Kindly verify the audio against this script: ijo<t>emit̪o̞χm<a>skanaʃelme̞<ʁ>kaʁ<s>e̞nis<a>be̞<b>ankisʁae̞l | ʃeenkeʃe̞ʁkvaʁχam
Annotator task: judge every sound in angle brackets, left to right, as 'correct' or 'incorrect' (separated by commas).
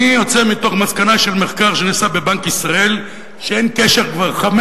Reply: incorrect, correct, incorrect, incorrect, correct, correct